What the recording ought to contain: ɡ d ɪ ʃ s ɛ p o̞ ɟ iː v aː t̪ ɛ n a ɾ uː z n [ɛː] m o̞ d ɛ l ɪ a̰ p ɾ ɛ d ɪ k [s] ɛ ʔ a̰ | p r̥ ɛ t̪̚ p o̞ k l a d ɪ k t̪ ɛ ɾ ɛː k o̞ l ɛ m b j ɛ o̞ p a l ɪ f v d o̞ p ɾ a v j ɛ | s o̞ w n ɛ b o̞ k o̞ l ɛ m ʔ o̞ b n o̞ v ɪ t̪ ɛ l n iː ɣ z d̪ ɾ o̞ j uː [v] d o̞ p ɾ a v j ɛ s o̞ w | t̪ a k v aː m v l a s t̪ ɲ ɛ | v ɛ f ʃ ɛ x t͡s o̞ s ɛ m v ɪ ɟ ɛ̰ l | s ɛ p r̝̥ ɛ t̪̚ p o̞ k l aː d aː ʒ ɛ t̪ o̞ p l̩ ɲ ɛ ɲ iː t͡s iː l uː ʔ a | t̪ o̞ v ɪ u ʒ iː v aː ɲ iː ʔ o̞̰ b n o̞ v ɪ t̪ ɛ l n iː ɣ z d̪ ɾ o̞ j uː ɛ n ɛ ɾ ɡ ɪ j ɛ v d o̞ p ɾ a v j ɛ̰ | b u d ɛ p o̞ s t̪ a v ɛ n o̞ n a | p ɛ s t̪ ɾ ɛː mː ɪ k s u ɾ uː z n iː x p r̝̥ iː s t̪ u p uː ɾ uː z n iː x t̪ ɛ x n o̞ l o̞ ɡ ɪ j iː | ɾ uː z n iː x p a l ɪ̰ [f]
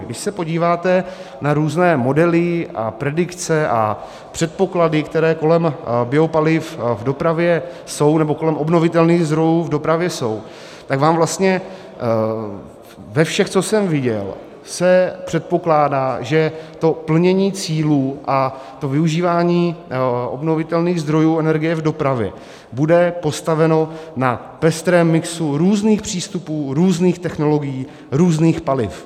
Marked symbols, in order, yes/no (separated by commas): yes, no, yes, yes